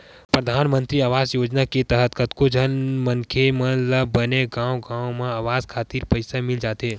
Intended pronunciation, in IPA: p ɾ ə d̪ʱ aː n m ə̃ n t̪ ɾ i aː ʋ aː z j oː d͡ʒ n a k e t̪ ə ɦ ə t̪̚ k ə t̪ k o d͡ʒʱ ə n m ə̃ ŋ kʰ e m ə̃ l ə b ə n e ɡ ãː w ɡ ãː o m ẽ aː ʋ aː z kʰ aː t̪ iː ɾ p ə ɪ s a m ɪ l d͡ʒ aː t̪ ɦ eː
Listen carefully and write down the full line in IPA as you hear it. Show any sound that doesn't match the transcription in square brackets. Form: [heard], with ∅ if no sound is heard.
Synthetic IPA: p ɾ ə d̪ʱ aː n m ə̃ n t̪ ɾ i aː ʋ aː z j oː d͡ʒ n a k e t̪ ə ɦ ə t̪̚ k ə t̪ k o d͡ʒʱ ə n m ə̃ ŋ kʰ e m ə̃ l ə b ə n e ɡ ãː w ɡ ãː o m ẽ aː ʋ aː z kʰ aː t̪ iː ɾ p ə ɪ s a m ɪ l d͡ʒ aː t̪ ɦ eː